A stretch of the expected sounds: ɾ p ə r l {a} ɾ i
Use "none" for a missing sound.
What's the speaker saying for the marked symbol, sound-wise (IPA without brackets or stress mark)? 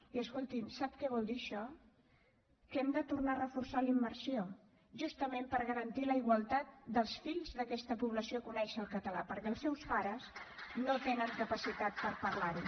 a